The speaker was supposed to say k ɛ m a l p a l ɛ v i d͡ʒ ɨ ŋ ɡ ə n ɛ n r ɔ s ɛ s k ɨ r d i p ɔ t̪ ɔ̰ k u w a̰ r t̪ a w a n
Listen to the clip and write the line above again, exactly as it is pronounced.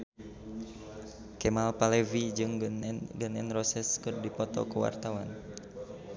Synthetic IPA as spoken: k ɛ m a l p a l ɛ v i d͡ʒ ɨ ŋ ɡ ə n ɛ n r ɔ s ɛ s k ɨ r d i p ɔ t̪ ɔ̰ k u w a̰ r t̪ a w a n

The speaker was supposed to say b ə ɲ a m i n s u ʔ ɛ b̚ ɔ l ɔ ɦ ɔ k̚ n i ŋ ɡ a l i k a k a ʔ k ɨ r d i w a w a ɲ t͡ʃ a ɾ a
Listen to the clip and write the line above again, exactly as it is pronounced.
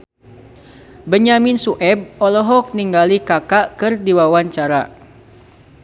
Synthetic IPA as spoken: b ə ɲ a m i n s u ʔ ɛ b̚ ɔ l ɔ ɦ ɔ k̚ n i ŋ ɡ a l i k a k a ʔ k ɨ r d i w a w a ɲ t͡ʃ a ɾ a

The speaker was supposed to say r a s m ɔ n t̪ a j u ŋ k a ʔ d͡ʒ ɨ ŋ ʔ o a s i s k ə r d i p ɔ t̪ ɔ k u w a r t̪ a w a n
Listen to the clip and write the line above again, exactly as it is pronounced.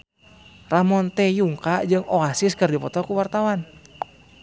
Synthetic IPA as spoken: r a m ɔ n t̪ ɛ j u ŋ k a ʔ d͡ʒ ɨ ŋ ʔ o a s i s k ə r d i p ɔ t̪ ɔ k u w a r t̪ a w a n

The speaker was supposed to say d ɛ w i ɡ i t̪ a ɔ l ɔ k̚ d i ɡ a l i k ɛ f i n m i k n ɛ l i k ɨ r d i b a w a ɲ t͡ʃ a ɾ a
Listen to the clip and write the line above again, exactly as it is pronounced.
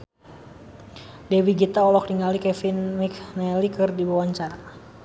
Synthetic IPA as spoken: d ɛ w i ɡ i t̪ a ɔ l ɔ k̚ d i ŋ a l i k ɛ f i n m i k n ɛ l i k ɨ r d i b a w a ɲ t͡ʃ a ɾ a

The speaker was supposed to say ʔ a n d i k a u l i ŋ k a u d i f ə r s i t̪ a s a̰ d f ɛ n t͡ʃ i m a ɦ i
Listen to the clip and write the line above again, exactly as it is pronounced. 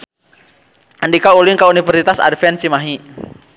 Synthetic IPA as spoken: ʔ a n d i k a u l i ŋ k a u n i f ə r s i t̪ a s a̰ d f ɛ n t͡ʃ i m a ɦ i

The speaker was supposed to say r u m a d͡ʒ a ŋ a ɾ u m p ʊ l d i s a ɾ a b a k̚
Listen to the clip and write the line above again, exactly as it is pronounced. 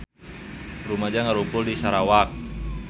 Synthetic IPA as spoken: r u m a d͡ʒ a ŋ a ɾ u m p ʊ l d i s a ɾ a w a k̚

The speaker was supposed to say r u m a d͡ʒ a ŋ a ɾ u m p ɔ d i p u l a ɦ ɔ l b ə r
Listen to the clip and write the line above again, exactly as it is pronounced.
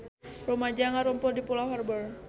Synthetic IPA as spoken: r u m a d͡ʒ a ŋ a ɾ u m p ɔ d i p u l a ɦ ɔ r b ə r

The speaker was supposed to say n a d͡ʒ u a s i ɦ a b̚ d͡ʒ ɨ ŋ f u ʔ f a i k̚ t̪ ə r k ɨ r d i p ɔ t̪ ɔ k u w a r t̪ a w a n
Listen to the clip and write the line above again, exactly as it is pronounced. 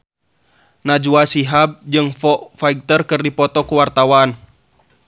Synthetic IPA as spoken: n a d͡ʒ u a s i ɦ a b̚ d͡ʒ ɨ ŋ f ɔ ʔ f a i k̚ t̪ ə r k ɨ r d i p ɔ t̪ ɔ k u w a r t̪ a w a n

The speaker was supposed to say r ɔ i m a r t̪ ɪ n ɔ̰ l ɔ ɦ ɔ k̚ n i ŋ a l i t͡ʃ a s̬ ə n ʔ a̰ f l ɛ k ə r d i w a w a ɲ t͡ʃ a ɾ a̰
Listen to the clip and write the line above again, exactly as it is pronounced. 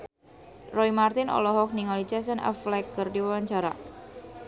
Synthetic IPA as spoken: r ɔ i m a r t̪ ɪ n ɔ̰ l ɔ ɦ ɔ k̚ n i ŋ a l i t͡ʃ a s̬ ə n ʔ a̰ f l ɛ k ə r d i w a w a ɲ t͡ʃ a ɾ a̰

